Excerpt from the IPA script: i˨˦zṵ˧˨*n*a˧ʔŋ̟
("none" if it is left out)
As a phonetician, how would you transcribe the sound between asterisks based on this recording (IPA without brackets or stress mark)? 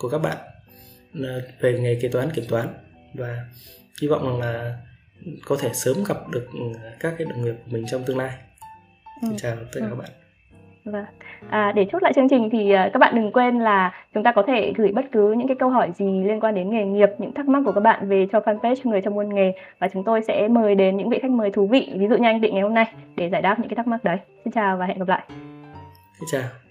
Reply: ɲ